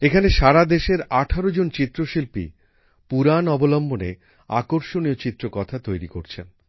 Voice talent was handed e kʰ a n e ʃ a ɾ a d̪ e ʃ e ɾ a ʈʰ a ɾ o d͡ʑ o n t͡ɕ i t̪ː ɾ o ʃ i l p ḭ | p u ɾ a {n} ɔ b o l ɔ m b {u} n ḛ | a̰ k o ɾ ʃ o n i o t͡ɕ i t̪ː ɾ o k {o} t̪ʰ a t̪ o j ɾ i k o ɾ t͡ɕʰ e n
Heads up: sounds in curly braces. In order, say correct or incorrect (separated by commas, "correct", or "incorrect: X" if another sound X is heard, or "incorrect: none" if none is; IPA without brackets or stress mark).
correct, incorrect: o, incorrect: ɔ